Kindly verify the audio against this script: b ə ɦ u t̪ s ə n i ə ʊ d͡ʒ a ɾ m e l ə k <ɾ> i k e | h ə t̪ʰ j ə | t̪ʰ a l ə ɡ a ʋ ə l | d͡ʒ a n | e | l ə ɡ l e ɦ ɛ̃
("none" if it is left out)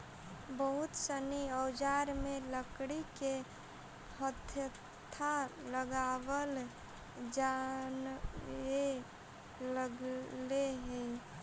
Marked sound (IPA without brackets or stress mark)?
ɽ